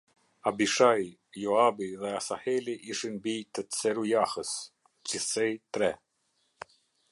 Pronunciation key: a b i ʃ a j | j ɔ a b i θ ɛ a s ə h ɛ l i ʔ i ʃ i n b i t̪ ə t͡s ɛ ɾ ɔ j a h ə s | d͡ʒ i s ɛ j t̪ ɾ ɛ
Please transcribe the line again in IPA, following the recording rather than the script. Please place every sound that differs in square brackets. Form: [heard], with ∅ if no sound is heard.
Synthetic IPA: a b i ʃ a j | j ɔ a b i [ð] ɛ a s [a] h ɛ l i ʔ i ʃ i n b i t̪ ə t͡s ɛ ɾ [u] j a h ə s | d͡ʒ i s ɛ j t̪ ɾ ɛ